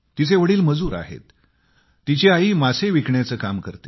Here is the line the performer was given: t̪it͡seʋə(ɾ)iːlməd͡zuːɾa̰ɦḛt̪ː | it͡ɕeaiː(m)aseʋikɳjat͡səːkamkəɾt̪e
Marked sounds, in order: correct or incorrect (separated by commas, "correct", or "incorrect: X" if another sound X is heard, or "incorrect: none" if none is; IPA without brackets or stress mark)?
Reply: incorrect: ɽ, correct